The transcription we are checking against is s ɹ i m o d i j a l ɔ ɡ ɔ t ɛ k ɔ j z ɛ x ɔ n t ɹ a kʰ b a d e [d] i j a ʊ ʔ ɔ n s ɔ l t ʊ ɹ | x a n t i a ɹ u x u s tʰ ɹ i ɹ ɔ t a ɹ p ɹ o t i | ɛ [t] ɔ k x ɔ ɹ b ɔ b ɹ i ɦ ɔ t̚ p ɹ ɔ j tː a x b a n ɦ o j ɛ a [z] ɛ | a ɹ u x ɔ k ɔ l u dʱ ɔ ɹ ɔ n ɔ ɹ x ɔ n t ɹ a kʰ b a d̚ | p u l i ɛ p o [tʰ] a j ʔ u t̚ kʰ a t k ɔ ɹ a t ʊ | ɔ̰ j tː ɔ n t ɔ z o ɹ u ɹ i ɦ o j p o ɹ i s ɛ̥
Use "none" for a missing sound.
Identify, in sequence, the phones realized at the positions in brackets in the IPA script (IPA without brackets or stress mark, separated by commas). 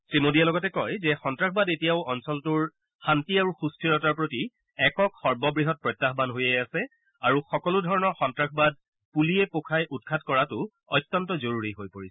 t, k, s, kʰ